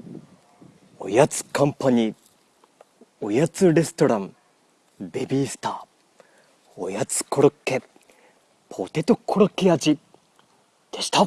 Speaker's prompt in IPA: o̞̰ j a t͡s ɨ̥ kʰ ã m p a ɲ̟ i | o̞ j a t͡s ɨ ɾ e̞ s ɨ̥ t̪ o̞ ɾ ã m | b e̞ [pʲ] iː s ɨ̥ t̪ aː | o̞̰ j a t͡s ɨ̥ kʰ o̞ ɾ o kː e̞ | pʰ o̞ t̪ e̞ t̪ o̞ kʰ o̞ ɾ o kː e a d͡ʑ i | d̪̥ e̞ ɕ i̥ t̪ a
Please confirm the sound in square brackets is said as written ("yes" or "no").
no